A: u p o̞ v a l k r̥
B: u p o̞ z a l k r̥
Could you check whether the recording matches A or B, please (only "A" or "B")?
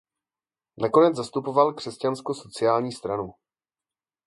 A